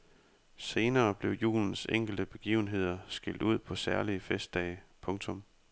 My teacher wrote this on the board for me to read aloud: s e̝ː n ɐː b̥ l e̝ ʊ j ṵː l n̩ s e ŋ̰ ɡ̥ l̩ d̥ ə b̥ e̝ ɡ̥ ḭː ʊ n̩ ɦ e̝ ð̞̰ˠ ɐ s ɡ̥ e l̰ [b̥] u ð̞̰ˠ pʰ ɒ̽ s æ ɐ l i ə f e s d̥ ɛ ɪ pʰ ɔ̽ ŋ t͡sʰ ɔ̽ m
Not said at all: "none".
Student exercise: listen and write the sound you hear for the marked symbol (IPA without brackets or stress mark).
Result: d̥